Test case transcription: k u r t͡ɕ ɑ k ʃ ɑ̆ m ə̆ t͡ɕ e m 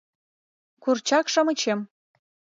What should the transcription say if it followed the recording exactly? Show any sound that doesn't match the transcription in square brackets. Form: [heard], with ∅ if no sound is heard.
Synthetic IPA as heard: k u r t͡ɕ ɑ k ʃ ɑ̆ m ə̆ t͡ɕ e m